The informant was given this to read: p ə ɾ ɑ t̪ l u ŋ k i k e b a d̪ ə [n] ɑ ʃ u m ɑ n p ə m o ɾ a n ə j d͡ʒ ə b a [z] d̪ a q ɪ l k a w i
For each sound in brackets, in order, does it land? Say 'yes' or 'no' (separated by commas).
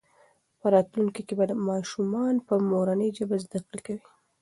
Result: no, yes